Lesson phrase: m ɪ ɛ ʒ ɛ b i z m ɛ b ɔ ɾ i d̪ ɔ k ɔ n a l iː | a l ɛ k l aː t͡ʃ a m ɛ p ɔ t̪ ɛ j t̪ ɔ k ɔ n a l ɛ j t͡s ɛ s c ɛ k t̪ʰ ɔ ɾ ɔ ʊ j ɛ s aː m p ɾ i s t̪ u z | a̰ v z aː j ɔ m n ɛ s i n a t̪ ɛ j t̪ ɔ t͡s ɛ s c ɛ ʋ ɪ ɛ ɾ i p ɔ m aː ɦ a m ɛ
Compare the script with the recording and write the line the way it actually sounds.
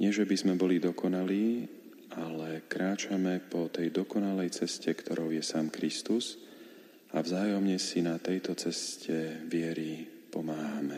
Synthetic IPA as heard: ɲ ɪ ɛ ʒ ɛ b i z m ɛ b ɔ l i d̪ ɔ k ɔ n a l iː | a l ɛ k ɾ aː t͡ʃ a m ɛ p ɔ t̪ ɛ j d̪ ɔ k ɔ n a l ɛ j t͡s ɛ s c ɛ k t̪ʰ ɔ ɾ ɔ ʊ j ɛ s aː m k ɾ i s t̪ u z | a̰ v z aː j ɔ m ɲ ɛ s i n a t̪ ɛ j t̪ ɔ t͡s ɛ s c ɛ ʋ ɪ ɛ ɾ i p ɔ m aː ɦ a m ɛ